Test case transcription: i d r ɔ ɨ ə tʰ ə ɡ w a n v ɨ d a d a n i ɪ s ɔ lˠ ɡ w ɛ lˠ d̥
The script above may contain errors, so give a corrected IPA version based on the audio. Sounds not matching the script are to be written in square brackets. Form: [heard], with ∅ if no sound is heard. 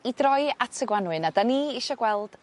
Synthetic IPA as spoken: i d r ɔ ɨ [a] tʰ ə ɡ w a n [w] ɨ [n] a d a n i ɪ [ʃ] ɔ [∅] ɡ w ɛ lˠ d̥